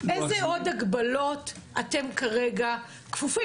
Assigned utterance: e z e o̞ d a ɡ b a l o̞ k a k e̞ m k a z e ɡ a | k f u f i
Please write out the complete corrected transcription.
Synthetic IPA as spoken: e z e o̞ d a ɡ b a l o̞ t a t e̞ m k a ʁ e ɡ a | k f u f i